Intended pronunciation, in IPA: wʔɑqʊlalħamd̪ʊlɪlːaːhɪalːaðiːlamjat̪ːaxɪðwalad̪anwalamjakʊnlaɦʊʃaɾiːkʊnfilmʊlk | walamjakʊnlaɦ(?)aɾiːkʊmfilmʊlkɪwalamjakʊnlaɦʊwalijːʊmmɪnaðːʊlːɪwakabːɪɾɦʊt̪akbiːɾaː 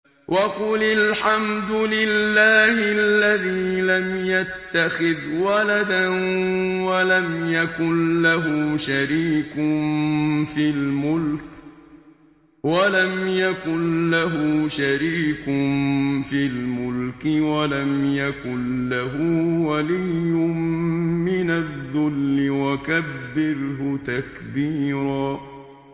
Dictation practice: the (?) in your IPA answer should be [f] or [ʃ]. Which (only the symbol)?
ʃ